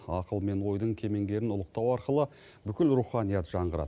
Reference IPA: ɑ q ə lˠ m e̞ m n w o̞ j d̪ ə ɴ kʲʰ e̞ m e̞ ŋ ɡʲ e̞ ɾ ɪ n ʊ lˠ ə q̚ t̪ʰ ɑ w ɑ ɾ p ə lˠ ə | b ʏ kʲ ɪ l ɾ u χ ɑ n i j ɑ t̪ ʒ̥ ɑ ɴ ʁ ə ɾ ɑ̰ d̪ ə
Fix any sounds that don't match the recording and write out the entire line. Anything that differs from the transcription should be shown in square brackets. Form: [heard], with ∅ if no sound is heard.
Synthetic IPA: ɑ q ə lˠ m e̞ [∅] n w o̞ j d̪ ə ɴ kʲʰ e̞ m e̞ ŋ ɡʲ e̞ ɾ ɪ n ʊ lˠ ə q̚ [t̪] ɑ w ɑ ɾ [q] ə lˠ ə | b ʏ kʲ ɪ l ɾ u χ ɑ n i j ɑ t̪ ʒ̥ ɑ ɴ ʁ ə ɾ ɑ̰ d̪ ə